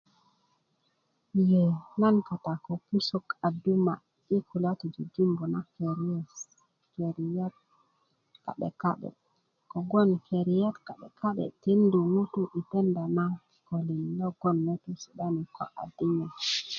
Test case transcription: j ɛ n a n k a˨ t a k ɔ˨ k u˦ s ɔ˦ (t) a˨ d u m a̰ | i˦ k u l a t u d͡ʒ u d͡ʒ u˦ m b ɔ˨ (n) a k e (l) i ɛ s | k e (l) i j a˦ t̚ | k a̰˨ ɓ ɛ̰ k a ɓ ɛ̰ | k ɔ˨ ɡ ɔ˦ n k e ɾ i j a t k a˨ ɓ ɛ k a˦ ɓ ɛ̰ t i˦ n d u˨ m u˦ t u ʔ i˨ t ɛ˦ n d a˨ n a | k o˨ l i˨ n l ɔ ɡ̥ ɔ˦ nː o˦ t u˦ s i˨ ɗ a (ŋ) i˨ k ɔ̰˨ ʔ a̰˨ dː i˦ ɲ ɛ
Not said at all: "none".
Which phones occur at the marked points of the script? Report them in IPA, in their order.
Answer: k, n, ɾ, ɾ, n

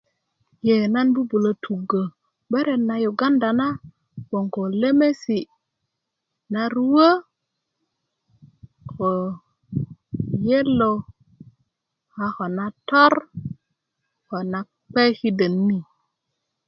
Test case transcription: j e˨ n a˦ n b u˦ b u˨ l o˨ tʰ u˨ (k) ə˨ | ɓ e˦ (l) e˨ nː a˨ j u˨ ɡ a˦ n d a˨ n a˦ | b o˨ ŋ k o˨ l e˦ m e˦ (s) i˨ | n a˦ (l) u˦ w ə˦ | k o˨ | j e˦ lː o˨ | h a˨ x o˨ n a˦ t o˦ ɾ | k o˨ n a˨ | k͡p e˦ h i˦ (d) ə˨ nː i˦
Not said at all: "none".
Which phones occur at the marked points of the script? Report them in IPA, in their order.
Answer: ɡ, ɾ, s, ɾ, d

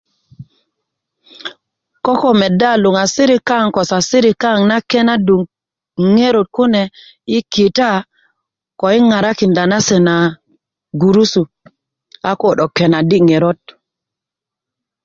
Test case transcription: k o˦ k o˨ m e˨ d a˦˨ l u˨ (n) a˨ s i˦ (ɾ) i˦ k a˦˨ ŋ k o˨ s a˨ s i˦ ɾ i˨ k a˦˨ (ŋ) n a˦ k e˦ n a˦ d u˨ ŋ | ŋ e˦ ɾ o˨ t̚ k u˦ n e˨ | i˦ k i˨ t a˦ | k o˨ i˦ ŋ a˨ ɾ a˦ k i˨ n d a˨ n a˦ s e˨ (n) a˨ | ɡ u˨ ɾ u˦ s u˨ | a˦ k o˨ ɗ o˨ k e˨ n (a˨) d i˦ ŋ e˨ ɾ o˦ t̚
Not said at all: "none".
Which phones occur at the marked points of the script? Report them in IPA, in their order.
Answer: ŋ, ɾ, ŋ, n, a˨

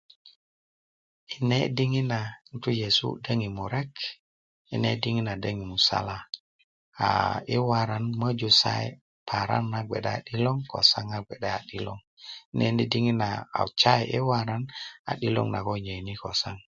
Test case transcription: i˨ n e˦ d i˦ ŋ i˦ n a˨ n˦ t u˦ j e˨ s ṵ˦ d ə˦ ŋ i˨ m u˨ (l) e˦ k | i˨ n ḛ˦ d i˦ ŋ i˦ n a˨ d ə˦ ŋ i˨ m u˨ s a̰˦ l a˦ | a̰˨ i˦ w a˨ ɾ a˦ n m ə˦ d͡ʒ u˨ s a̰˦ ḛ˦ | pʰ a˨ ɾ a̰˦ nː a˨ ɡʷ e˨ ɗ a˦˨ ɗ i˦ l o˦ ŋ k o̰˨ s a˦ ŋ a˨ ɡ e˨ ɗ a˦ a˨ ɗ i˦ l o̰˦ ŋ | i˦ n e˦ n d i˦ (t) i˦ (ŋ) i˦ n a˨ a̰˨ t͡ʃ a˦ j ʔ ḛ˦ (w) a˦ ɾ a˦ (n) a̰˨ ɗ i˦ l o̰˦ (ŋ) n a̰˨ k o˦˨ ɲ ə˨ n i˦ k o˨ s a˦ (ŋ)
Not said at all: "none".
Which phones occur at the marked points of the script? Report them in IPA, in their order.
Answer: ɾ, d, ŋ, w, n, ŋ, ŋ

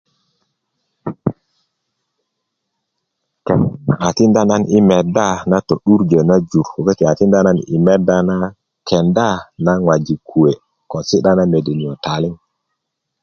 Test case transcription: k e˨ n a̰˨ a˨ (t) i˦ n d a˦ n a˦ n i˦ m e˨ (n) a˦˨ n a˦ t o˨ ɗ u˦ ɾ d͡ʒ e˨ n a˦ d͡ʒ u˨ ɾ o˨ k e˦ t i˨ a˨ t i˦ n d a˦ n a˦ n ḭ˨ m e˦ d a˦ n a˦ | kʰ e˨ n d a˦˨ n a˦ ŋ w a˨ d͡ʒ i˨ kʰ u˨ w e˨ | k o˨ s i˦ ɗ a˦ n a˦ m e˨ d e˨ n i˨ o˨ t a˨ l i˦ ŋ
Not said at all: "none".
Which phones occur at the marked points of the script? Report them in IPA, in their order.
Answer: t, d

